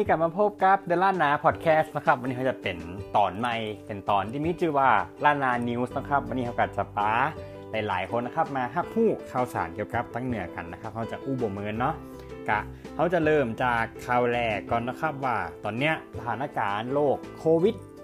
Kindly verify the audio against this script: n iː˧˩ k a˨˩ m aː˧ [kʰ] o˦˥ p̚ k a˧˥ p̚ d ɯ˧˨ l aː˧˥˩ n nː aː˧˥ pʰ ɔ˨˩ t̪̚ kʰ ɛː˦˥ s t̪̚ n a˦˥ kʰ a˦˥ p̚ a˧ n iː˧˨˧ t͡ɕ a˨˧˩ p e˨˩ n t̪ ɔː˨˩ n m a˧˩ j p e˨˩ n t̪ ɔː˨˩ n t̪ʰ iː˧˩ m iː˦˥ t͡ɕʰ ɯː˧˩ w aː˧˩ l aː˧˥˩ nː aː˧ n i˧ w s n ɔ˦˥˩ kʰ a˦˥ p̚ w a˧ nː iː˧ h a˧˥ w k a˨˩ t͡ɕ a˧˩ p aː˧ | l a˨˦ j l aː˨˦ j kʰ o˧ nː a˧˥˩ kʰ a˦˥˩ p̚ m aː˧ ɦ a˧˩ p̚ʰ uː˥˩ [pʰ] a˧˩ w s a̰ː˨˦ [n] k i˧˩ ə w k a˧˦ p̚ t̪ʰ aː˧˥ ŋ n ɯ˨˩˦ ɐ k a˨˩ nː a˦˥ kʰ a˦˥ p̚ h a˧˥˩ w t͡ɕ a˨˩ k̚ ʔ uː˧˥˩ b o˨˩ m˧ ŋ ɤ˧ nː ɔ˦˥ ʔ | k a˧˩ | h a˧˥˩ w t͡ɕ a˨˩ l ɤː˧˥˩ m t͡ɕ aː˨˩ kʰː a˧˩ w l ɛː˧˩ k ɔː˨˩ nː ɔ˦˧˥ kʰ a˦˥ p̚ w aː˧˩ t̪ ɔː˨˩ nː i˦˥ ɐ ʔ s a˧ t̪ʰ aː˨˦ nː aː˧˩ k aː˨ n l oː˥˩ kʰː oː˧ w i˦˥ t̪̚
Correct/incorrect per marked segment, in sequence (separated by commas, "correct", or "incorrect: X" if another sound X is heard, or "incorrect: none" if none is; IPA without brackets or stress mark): incorrect: pʰ, incorrect: kʰ, correct